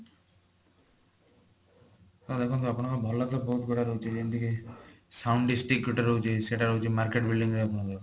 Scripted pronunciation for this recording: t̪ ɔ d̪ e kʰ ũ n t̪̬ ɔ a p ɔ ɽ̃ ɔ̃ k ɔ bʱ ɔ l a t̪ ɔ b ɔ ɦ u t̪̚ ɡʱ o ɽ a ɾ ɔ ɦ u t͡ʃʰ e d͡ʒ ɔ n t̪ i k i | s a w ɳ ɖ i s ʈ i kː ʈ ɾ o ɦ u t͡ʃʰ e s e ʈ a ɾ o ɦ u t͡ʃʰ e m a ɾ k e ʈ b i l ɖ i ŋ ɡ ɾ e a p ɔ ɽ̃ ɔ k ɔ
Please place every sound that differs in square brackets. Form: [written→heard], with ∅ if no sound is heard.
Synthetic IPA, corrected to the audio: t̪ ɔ d̪ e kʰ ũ n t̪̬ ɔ a p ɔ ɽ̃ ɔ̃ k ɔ bʱ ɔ l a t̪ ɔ b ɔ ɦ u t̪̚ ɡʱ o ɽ a ɾ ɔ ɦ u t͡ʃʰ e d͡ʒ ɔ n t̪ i k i | s a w ɳ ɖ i s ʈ i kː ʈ ɾ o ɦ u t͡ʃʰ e s e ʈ a ɾ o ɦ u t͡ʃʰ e m a ɾ k e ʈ b i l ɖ i ŋ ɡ ɾ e a p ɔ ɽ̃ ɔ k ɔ